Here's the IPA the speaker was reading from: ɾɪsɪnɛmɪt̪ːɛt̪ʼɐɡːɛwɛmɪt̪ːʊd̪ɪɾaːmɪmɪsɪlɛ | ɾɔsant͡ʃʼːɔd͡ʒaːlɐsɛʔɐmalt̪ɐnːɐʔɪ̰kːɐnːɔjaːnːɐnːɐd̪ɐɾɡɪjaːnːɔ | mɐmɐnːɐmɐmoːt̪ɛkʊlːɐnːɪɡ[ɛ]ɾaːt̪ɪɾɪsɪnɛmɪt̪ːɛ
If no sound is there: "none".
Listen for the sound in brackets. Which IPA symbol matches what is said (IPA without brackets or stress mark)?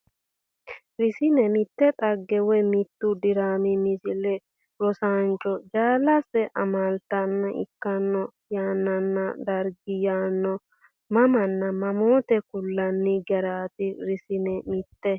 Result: ɛ